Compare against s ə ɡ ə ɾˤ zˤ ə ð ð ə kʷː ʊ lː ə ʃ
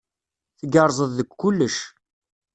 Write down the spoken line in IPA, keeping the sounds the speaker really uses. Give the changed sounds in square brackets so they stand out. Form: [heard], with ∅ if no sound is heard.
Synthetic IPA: [θ] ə ɡ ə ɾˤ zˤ ə ð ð ə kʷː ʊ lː ə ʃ